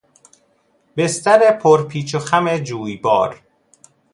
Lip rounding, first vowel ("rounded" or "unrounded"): unrounded